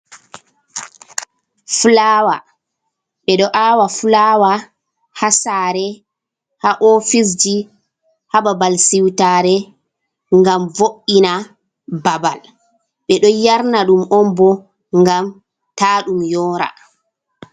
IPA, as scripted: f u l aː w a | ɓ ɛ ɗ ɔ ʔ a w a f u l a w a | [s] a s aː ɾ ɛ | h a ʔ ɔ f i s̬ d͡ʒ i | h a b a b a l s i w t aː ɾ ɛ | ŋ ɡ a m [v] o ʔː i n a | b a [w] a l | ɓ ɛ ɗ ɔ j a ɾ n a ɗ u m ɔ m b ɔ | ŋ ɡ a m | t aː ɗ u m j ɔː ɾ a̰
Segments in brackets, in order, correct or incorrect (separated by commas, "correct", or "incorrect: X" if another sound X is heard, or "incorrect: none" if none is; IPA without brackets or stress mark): incorrect: h, correct, incorrect: b